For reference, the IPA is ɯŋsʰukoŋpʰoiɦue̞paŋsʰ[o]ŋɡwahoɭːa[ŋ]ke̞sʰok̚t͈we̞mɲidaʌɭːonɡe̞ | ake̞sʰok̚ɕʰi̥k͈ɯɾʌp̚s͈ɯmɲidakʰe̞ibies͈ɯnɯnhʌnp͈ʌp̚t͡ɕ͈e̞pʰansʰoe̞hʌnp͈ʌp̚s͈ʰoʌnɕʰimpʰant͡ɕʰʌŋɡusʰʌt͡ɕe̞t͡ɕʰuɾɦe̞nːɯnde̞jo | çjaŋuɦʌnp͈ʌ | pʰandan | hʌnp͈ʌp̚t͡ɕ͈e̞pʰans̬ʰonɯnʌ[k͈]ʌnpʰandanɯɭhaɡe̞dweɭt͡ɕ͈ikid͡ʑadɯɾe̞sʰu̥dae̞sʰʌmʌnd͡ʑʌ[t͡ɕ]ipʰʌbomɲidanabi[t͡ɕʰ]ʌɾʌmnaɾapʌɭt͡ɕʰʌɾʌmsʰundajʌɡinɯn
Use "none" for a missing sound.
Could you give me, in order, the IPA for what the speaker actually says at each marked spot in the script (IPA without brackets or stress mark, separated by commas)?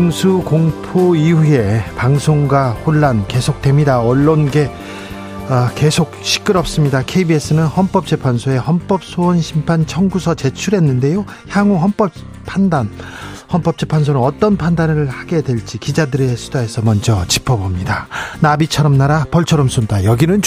o, n, t͈, t͡ɕ, t͡ɕʰ